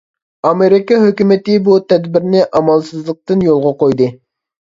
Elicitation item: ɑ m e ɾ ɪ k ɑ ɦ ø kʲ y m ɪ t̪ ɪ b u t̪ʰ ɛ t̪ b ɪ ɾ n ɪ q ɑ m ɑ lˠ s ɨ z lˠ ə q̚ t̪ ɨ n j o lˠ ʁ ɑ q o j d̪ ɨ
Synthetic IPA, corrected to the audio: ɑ m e ɾ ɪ k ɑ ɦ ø kʲ y m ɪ t̪ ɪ b u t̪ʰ ɛ d̪ b ɪ ɾ n ɪ ʔ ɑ m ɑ lˠ s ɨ z lˠ ə q̚ t̪ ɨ n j o lˠ ʁ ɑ q o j d̪ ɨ